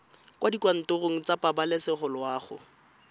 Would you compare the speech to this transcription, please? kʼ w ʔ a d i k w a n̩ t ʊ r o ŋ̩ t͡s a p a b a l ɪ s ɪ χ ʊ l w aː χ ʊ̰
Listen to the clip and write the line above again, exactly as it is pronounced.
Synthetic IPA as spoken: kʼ w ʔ a d i k w a n̩ t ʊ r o ŋ̩ t͡s a p a b a l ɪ s ɪ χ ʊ l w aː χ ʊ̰